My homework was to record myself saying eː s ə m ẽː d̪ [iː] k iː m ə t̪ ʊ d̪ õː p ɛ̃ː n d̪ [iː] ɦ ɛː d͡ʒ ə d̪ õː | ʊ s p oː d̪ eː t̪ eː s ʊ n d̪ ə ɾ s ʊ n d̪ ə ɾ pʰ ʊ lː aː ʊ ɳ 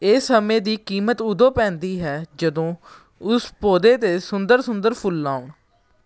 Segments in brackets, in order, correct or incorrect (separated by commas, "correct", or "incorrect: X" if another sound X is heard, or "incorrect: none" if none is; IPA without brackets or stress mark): correct, correct